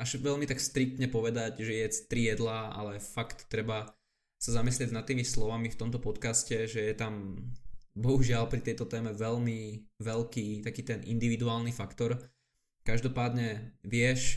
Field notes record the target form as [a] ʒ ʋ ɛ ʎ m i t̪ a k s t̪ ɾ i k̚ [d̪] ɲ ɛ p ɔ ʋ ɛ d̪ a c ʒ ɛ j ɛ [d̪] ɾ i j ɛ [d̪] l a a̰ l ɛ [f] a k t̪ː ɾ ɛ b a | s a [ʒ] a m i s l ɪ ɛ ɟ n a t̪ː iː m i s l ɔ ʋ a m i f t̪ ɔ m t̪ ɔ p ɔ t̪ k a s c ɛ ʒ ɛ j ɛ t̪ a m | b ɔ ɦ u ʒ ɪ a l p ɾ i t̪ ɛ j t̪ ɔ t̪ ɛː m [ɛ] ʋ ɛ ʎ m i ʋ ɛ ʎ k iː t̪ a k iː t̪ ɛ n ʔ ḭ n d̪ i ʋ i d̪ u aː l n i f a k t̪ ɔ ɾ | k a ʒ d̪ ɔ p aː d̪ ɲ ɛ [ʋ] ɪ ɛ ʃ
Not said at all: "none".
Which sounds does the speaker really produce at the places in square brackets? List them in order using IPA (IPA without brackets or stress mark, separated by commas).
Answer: a, t̪, t̪, d̪, f, z, ɛ, ʋ